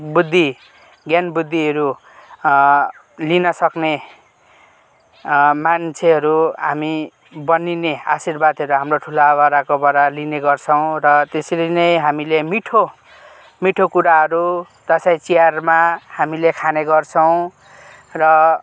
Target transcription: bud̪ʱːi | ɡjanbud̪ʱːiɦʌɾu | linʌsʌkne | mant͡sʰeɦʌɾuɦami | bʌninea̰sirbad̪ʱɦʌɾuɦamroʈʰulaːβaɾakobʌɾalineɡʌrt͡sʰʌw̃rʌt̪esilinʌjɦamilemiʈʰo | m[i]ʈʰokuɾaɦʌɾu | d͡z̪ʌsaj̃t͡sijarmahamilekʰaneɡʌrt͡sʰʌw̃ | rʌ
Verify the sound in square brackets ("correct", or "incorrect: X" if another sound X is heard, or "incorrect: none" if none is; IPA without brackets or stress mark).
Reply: correct